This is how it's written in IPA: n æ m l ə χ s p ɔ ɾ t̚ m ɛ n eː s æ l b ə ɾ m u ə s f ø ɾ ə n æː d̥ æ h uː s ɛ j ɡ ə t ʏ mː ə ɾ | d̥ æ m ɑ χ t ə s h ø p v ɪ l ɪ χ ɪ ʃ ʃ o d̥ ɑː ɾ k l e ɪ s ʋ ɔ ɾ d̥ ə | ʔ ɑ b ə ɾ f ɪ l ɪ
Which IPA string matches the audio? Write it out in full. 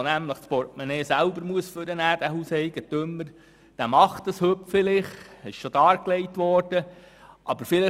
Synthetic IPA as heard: n æ m l ə χ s p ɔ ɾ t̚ m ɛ n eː s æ l b ə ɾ m u ə s f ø ɾ ə n æː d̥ æ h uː s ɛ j ɡ ə t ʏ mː ə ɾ | d̥ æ m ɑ χ t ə s h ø p f ɪ l ɪ χ ɪ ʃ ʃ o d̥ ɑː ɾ k l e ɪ t ʋ ɔ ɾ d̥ ə | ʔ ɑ b ə ɾ f ɪ l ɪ